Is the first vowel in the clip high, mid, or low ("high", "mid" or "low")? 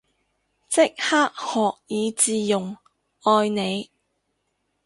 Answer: high